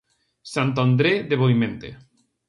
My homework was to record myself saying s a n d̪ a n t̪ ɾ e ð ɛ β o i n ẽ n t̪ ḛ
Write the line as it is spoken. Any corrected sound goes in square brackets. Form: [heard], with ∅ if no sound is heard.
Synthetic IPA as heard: s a n [t̪] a n [d̪] ɾ e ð [e] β o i [m] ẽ n t̪ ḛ

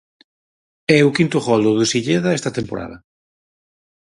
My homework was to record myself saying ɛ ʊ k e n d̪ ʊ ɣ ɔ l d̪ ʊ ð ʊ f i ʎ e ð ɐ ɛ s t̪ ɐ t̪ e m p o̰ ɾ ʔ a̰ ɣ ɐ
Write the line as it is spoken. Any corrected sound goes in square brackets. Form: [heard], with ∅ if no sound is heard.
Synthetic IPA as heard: ɛ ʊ k [i] n [t̪] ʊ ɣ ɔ l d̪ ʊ ð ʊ [s] i ʎ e ð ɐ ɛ s t̪ ɐ t̪ e m p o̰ ɾ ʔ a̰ [ð] ɐ

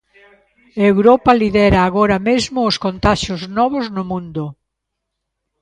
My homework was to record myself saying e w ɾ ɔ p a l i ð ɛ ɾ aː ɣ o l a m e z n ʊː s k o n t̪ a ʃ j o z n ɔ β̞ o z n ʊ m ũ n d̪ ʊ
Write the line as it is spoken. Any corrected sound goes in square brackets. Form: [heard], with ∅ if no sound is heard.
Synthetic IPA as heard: e w ɾ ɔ p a l i ð ɛ ɾ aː ɣ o [ɾ] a m e z [m] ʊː s k o n t̪ a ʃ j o z n ɔ β̞ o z n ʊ m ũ n d̪ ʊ

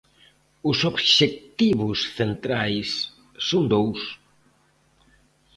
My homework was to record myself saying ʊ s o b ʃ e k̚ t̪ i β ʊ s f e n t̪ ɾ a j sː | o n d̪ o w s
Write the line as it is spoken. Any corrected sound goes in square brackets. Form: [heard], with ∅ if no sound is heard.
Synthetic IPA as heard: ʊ s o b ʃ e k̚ t̪ i β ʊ s [θ] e n t̪ ɾ a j sː | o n d̪ o w s

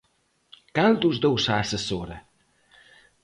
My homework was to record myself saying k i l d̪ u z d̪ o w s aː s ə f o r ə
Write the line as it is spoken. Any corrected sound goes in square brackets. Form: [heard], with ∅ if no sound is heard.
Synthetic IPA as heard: k [a] l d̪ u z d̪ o w s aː s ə [s] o [ɾ] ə

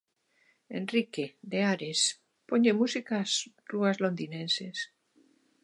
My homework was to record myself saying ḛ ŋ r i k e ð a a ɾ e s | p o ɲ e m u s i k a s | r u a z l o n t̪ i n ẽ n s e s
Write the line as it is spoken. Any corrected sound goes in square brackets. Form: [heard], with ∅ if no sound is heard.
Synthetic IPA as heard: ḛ [n] r i k e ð [e] a ɾ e s | p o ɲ e m u s i k a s | r u a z l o n [d̪] i n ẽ n s e s

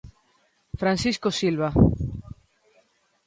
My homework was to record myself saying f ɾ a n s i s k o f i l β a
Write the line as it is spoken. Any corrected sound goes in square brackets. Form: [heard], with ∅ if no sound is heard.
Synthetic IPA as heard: f ɾ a n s i s k o [s] i l β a

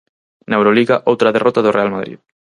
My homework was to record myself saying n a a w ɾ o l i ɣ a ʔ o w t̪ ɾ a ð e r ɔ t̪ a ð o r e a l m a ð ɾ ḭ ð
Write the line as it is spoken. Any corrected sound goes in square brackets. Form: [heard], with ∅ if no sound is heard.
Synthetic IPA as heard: n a [e] w ɾ o l i ɣ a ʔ o w t̪ ɾ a ð e r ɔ t̪ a ð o r e a l m a ð ɾ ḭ ð

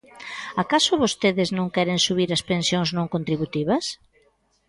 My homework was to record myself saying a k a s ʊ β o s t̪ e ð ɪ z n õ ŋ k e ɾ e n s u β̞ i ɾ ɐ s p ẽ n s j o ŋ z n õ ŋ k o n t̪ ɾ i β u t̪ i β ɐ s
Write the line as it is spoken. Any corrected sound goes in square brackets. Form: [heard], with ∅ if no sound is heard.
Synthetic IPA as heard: a k a s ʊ β o s t̪ e ð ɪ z n õ ŋ k [ɛ] ɾ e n s u β̞ i ɾ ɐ s p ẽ n s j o ŋ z n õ ŋ k o n t̪ ɾ i β u t̪ i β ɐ s

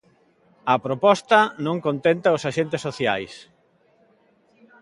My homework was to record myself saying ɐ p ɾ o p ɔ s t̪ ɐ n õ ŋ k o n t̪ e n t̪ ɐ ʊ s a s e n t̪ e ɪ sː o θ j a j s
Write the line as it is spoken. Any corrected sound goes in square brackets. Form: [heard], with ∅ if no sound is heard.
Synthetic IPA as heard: ɐ p ɾ o p ɔ s t̪ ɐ n õ ŋ k o n t̪ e n t̪ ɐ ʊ s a [ʃ] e n t̪ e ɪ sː o θ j a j s

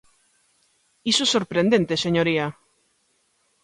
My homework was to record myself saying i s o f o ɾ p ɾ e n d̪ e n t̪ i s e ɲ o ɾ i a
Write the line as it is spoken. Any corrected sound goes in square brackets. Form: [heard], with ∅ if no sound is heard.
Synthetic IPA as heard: i s o [s] o ɾ p ɾ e n d̪ e n t̪ [e] s e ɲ o ɾ i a

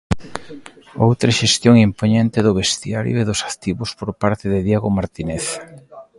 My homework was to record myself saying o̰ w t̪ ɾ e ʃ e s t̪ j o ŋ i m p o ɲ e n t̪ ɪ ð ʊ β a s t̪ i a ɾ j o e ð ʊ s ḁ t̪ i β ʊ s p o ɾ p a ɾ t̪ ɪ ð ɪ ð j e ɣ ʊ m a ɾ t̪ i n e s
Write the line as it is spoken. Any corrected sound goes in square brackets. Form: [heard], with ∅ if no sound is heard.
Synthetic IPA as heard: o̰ w t̪ ɾ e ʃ e s t̪ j o ŋ i m p o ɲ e n t̪ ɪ ð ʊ β [e] s t̪ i a ɾ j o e ð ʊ s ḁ t̪ i β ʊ s p o ɾ p a ɾ t̪ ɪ ð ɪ ð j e ɣ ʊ m a ɾ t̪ i n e [θ]

